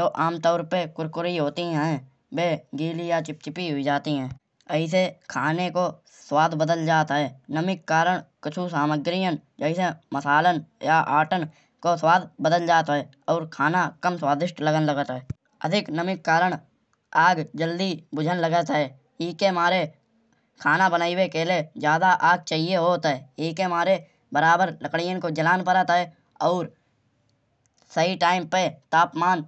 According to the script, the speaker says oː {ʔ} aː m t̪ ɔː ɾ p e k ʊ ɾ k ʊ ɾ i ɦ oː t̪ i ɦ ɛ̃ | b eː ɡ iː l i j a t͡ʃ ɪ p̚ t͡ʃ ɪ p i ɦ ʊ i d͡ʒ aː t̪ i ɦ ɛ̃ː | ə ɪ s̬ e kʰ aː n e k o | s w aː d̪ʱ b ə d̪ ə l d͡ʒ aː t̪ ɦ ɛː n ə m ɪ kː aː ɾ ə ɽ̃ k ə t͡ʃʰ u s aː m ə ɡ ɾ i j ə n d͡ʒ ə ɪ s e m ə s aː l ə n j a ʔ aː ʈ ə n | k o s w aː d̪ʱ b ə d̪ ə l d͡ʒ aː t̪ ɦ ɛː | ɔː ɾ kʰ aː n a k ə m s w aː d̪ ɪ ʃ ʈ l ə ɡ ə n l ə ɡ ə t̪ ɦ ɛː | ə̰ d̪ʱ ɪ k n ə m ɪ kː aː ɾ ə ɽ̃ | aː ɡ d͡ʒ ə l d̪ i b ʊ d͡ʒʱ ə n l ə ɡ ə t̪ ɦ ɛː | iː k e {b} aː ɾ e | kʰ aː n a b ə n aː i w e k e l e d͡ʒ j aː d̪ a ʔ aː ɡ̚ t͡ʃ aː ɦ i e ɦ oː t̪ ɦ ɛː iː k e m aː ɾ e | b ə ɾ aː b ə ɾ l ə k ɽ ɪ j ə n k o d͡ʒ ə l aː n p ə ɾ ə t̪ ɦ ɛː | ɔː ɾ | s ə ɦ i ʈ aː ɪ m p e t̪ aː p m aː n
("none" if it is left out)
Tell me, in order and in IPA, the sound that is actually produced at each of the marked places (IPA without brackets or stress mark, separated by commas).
ʔ, m